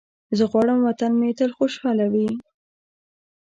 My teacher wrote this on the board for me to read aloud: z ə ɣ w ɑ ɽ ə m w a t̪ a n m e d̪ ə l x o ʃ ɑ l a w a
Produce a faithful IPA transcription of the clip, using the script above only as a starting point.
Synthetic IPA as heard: z ə ɣ w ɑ ɽ ə m w a t̪ a n m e t̪ ə l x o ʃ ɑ l a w i